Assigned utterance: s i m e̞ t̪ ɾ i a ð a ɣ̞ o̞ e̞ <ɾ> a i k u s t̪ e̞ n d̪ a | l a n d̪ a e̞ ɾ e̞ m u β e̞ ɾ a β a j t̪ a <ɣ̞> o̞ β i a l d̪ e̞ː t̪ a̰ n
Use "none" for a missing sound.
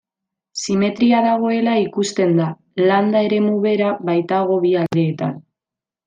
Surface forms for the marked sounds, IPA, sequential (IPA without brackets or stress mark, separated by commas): l, ɣ̞